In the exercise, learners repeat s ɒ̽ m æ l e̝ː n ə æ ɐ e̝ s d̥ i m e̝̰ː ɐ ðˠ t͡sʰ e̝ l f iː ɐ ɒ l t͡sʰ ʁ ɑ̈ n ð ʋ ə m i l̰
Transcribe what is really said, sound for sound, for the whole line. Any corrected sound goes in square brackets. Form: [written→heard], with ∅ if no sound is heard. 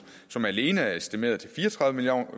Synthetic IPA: s ɒ̽ m æ l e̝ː n ə æ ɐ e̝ s d̥ i m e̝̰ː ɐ ðˠ t͡sʰ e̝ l f iː ɐ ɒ [l→∅] t͡sʰ ʁ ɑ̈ [n→∅] ð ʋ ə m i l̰